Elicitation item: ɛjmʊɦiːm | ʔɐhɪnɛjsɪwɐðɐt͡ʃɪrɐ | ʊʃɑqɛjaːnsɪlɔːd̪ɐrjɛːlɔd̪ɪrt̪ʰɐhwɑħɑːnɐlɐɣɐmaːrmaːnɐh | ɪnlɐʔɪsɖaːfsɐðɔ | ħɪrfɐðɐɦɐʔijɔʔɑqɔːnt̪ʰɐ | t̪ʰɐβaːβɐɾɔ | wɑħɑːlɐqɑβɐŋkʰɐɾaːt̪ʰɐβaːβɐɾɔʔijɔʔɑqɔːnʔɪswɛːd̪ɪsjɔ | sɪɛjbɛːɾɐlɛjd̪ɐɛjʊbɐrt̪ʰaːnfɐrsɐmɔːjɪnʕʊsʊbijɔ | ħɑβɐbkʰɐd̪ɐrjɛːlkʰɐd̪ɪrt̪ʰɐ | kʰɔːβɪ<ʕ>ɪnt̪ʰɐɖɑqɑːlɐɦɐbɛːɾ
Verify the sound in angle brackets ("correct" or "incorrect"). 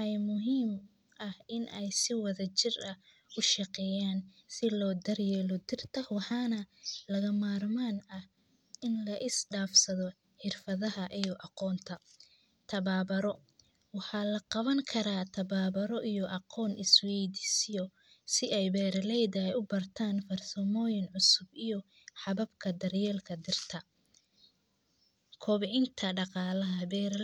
correct